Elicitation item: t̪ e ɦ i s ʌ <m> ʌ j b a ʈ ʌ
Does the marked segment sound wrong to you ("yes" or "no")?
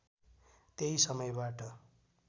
no